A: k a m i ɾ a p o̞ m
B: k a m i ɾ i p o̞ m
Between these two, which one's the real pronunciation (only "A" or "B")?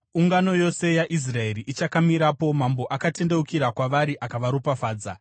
A